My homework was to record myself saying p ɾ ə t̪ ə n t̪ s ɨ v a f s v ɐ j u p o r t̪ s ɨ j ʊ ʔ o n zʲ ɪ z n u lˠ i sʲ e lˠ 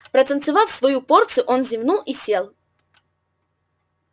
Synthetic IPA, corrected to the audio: p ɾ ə t̪ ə n t̪ s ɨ v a f s v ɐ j u p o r t̪ s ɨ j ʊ ʔ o n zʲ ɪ v n u lˠ i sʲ e lˠ

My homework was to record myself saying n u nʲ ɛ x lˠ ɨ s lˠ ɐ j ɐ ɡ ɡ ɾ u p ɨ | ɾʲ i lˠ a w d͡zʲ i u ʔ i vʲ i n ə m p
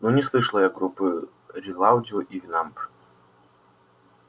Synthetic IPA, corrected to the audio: n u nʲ ɛ s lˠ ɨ ʂ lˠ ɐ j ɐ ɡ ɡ ɾ u p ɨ | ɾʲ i lˠ a w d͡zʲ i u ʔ i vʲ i n a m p

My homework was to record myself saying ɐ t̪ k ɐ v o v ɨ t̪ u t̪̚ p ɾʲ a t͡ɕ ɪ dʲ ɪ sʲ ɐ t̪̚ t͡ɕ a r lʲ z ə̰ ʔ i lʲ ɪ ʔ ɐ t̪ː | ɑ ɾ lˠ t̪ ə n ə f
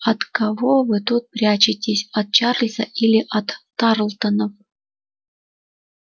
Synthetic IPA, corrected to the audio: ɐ t̪ k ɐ v o v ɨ t̪ u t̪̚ p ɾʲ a t͡ɕ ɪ tʲ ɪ sʲ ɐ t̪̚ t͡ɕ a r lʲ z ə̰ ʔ i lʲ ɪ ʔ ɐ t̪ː | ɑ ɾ lˠ t̪ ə n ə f

